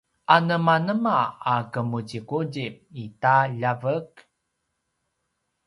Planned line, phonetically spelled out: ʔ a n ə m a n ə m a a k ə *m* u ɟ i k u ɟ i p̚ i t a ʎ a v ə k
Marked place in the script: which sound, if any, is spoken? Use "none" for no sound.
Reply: m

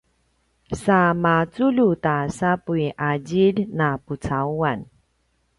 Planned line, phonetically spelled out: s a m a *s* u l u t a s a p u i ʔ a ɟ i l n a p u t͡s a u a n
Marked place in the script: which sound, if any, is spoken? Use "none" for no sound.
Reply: t͡s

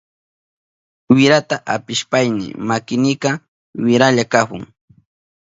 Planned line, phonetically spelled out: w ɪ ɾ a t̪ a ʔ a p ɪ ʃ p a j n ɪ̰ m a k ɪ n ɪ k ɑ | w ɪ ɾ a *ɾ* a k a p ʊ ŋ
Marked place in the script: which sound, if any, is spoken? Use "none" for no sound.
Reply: ʎ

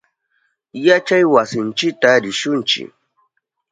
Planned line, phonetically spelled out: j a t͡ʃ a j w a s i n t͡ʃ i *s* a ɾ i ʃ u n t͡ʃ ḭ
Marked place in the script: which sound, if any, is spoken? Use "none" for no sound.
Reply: t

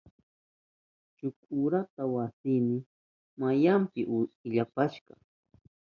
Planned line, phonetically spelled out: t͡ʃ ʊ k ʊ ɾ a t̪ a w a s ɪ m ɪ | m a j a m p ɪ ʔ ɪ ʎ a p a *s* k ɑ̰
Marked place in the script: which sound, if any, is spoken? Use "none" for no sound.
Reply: ʃ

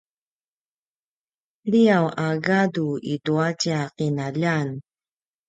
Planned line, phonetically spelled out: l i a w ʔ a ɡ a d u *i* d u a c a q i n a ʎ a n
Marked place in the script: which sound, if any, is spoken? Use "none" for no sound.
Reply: i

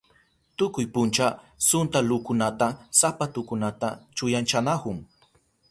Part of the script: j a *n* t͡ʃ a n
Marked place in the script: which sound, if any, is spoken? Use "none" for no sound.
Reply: n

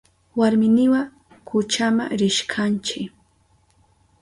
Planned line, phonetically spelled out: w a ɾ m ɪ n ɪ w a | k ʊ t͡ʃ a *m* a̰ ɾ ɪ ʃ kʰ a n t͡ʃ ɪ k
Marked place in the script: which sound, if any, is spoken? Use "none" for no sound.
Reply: m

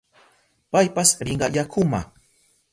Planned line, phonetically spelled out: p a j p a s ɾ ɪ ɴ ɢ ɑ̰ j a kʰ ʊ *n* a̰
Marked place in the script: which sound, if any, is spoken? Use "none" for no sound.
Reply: m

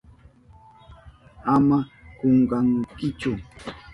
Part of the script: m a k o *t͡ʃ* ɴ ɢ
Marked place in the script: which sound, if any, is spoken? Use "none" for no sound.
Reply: none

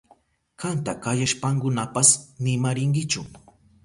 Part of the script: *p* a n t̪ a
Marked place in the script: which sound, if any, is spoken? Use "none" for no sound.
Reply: k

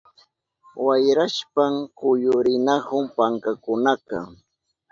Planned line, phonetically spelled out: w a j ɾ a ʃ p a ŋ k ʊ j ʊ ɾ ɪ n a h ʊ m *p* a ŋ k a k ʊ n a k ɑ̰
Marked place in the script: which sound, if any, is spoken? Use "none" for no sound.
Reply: p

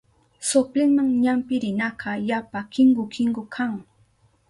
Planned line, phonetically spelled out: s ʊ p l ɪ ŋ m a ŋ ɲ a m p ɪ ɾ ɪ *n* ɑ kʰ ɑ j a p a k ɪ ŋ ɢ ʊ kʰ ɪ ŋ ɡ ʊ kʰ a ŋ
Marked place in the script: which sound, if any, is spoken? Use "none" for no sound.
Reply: n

